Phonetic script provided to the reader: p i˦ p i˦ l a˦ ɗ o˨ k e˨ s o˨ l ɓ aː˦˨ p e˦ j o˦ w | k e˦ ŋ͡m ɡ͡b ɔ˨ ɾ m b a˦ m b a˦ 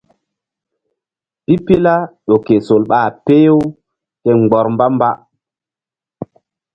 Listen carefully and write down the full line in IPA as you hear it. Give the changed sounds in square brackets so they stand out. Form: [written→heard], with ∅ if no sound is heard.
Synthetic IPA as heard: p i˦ p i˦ l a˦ ɗ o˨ k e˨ s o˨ l ɓ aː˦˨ p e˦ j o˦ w | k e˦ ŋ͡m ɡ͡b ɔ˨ ɾ m b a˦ m b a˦

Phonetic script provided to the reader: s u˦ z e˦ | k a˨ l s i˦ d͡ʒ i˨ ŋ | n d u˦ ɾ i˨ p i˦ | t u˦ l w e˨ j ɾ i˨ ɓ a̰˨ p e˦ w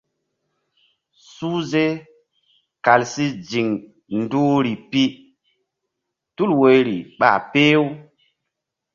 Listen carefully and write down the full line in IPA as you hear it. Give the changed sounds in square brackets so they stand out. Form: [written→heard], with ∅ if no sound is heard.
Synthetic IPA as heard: s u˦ z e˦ | k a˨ l s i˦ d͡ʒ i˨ ŋ | n d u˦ ɾ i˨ p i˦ | t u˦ l w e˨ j ɾ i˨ ɓ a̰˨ p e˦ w

